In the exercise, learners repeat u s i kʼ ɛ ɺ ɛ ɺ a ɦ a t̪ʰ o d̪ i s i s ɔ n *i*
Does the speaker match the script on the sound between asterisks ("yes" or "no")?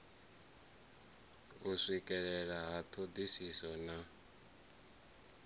no